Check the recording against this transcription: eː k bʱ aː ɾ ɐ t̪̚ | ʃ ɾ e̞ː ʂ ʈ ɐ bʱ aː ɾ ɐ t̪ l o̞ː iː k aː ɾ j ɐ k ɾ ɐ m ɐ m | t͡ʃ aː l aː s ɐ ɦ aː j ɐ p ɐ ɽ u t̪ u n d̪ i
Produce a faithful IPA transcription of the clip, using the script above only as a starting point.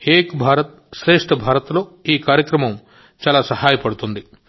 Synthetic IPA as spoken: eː k bʱ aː ɾ ɐ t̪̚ | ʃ ɾ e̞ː ʂ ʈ ɐ bʱ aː ɾ ɐ t̪ l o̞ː iː k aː ɾ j ɐ k ɾ ɐ m ɐ m | t͡ʃ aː l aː s ɐ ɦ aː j ɐ p ɐ ɽ u t̪ u n d̪ i